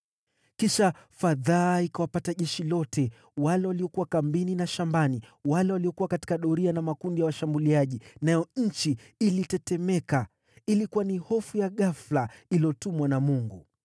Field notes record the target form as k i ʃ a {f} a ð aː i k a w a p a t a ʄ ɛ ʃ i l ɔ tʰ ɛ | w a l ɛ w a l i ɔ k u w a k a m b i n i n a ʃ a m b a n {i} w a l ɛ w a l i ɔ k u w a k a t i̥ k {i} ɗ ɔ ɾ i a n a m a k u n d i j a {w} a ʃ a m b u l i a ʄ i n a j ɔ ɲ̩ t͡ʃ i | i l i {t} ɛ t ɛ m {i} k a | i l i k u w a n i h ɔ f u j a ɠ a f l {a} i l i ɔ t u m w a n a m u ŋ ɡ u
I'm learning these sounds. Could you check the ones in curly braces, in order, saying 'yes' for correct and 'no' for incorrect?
yes, yes, no, yes, yes, no, yes

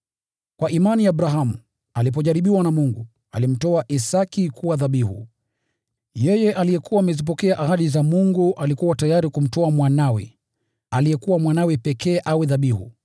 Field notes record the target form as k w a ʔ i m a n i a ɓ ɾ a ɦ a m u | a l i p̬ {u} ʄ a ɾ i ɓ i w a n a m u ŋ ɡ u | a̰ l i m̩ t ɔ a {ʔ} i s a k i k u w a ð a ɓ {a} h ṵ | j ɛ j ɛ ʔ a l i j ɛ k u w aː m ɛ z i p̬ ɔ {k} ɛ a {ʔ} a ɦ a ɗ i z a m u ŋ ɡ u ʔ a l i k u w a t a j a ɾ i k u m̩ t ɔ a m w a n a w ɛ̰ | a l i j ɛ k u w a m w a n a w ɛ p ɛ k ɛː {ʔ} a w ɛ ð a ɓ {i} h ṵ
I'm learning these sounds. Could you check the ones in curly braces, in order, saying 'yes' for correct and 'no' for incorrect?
no, yes, no, yes, yes, yes, yes

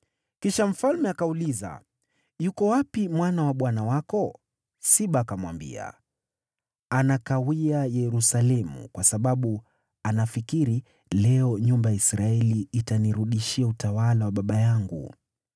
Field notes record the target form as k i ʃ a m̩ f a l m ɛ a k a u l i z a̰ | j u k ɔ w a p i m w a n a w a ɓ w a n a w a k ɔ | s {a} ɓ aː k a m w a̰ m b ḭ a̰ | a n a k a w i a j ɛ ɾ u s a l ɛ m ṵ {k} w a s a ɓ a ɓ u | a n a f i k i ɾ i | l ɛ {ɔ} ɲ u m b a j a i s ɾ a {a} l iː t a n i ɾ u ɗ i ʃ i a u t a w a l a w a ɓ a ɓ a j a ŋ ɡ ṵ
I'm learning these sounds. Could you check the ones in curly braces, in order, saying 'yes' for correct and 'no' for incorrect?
no, yes, yes, no

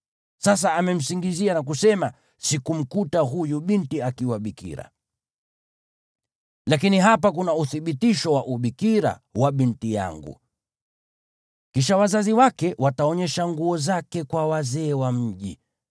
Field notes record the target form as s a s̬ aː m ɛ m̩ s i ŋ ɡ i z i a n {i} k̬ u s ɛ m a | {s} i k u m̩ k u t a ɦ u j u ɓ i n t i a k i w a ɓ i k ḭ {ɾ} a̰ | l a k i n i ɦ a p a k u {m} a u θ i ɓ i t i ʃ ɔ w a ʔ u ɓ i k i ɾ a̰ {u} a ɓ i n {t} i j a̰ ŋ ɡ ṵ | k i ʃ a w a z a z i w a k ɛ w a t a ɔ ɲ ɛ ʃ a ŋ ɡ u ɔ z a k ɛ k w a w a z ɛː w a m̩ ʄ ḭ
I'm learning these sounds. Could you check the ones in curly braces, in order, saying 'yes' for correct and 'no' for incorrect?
no, yes, yes, no, no, yes

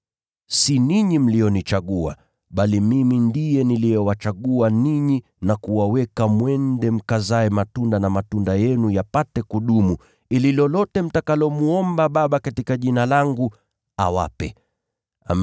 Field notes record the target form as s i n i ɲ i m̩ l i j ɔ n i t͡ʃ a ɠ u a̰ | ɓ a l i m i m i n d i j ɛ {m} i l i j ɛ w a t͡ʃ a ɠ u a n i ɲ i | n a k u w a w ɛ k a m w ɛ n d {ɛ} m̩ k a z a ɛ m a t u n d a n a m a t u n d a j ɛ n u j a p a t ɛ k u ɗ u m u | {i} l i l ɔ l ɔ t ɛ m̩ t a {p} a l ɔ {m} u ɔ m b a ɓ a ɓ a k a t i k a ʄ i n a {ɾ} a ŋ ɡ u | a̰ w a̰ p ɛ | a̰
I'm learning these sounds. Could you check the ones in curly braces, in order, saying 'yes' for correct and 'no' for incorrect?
no, yes, yes, no, yes, no

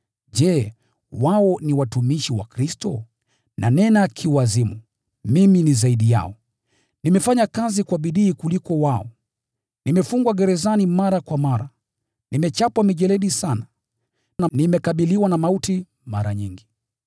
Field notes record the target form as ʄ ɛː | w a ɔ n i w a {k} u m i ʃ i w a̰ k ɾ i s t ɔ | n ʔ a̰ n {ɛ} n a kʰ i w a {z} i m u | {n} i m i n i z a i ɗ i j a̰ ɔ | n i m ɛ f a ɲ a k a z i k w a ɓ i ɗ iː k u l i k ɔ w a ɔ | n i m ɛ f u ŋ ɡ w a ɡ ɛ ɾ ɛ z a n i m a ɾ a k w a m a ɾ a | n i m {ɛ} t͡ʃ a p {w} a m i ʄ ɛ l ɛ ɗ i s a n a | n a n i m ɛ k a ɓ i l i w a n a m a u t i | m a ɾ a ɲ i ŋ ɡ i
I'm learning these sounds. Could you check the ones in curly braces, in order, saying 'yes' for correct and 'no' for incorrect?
no, yes, yes, no, yes, yes

